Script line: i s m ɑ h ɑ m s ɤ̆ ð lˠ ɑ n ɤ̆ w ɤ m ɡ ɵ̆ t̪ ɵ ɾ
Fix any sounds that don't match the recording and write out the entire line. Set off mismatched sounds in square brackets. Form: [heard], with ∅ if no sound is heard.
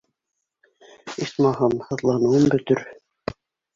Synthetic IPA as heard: i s m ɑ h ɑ m [h] ɤ̆ ð lˠ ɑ n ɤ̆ w ɤ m [b] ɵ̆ t̪ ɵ ɾ